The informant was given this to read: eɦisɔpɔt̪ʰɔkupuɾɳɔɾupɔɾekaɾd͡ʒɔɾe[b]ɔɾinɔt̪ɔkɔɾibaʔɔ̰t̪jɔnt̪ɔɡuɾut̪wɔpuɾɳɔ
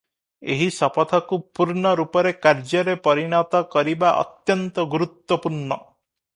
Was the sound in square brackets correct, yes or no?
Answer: no